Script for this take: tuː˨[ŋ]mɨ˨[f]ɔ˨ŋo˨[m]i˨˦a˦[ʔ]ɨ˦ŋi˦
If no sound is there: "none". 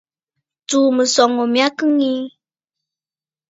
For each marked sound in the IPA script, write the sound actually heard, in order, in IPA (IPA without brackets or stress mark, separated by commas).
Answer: none, s, m, k